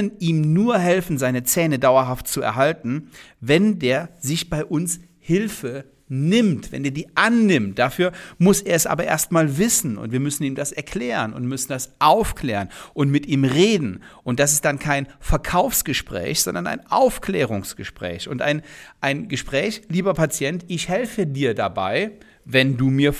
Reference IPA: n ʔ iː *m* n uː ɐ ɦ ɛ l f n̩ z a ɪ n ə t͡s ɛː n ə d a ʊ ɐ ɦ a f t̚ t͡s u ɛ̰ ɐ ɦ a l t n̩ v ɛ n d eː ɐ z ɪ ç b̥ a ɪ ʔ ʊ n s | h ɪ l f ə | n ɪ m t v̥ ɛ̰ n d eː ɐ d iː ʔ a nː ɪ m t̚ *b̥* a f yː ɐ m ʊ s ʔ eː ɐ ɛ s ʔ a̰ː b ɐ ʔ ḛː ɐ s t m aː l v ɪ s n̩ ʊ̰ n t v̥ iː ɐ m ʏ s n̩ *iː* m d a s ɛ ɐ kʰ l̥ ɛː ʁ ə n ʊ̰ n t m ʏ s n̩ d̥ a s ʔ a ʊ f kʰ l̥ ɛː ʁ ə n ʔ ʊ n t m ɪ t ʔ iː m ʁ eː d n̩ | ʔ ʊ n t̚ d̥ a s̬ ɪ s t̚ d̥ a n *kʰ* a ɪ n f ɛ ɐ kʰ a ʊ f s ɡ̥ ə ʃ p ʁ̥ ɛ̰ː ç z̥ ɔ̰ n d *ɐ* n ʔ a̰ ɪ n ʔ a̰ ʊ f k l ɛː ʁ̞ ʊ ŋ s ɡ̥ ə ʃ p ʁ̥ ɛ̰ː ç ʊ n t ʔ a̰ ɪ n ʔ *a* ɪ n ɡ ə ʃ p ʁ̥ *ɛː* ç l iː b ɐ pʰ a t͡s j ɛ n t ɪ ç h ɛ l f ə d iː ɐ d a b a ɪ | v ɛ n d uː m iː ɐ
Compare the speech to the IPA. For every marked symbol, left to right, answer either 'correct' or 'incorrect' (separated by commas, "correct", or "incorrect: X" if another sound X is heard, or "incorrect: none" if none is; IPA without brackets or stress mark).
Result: correct, incorrect: d̥, correct, correct, correct, correct, correct